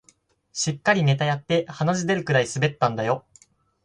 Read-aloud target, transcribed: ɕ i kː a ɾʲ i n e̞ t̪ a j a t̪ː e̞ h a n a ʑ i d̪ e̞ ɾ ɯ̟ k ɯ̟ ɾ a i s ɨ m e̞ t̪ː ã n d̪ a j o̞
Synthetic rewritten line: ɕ i kː a ɾʲ i n e̞ t̪ a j a t̪ː e̞ h a n a ʑ i d̪ e̞ ɾ ɯ̟ k ɯ̟ ɾ a i s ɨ b e̞ t̪ː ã n d̪ a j o̞